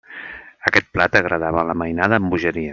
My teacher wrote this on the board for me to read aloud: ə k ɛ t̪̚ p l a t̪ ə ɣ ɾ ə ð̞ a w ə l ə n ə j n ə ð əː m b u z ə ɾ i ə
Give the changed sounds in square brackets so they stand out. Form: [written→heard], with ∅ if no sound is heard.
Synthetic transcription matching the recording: ə k ɛ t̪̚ p l a t̪ ə ɣ ɾ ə ð̞ a [w→β] ə l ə [n→m] ə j n [ə→a] ð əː m b u [z→ʒ] ə ɾ i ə